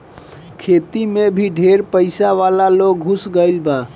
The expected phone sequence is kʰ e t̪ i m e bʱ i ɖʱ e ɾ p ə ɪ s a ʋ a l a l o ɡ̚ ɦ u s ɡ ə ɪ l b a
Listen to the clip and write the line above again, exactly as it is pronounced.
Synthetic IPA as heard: kʰ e t̪ i m e bʱ i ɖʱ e ɾ p ə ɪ s a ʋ a l a l o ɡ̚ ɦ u s ɡ ə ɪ l b a